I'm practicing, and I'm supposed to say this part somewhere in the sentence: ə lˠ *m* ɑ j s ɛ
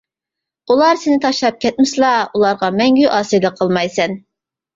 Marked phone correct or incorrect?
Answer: correct